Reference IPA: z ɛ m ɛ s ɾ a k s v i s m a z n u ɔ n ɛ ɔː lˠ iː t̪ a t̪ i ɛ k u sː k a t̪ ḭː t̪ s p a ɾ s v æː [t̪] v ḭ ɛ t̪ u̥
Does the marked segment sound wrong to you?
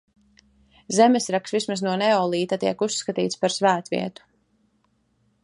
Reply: no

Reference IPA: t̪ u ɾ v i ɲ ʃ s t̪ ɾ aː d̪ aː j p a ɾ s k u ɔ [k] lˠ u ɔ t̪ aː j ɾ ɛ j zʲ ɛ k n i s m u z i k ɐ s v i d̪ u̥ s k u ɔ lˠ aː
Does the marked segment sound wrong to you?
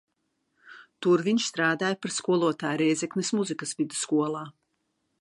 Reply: yes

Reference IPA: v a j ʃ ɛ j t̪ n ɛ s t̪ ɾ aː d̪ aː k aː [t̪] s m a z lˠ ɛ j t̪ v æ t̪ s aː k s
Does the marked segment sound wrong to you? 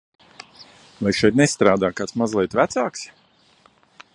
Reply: no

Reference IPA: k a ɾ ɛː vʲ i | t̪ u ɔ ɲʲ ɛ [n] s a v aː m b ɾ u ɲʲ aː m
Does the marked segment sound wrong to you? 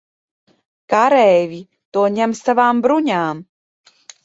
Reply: yes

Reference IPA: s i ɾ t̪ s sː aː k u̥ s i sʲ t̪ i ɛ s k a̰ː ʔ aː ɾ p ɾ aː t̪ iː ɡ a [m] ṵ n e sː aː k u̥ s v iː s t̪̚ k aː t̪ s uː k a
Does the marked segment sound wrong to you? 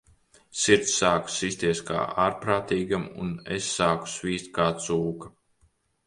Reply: no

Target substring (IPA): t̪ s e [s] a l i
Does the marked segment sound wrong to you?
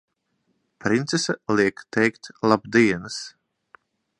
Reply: no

